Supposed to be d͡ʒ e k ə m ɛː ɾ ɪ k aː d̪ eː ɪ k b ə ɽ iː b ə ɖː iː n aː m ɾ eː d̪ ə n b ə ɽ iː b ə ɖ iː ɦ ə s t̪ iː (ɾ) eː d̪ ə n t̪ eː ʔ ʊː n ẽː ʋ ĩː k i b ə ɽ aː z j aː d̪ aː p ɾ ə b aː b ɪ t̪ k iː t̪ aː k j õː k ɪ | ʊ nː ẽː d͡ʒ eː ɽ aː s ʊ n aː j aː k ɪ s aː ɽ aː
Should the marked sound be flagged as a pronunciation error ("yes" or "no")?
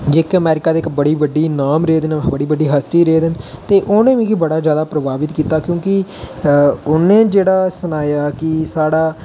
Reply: no